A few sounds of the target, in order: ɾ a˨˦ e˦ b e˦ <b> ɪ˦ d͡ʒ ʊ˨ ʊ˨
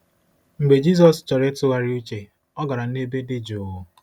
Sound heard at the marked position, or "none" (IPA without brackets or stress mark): d